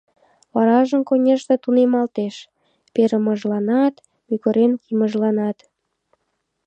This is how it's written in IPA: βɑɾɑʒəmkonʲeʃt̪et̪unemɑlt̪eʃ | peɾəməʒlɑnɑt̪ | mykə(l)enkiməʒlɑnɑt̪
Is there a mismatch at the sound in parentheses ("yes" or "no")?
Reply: yes